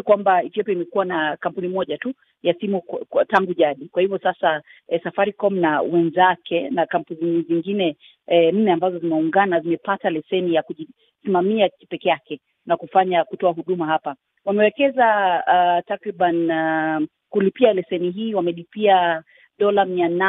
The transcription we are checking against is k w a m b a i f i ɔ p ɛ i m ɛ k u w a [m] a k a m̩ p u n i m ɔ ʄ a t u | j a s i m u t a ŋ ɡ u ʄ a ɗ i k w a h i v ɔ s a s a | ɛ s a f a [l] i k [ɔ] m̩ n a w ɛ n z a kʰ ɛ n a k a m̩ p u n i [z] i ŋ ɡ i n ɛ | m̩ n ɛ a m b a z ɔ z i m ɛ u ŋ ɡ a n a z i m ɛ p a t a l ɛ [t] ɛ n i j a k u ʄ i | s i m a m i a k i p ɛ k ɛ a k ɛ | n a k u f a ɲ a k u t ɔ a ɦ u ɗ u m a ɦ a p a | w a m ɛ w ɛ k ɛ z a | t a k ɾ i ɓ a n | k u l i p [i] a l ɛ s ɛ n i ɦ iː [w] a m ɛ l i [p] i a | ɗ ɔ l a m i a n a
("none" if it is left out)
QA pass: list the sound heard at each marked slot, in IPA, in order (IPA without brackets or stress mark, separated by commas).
n, ɾ, ɔ, z, s, i, w, p